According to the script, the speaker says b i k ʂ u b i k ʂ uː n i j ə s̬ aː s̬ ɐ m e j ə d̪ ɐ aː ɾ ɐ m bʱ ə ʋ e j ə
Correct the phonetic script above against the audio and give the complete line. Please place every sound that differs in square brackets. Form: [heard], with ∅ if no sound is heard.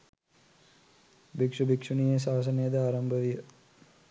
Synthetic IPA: b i k ʂ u b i k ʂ [u] n i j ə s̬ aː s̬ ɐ [n] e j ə d̪ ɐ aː ɾ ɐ m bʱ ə ʋ [i] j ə